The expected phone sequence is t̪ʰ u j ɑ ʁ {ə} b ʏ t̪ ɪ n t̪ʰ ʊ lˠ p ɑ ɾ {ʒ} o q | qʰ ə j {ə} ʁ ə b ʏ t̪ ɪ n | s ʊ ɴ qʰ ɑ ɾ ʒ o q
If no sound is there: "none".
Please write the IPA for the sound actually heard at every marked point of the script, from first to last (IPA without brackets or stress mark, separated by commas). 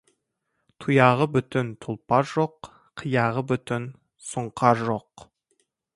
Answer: ə, ʒ, ɑ